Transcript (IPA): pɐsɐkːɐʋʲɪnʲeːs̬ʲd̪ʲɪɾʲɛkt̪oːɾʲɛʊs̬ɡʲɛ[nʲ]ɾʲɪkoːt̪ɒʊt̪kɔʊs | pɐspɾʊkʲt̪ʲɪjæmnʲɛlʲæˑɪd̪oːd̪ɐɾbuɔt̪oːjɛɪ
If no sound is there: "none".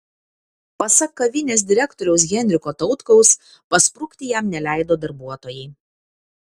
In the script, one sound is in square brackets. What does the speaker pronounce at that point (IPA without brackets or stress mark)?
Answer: nʲ